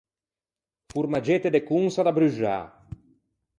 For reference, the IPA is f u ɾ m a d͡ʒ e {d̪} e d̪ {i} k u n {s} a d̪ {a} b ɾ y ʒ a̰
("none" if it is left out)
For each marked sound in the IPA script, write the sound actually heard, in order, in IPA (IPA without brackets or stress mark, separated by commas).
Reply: t̪, e, s, a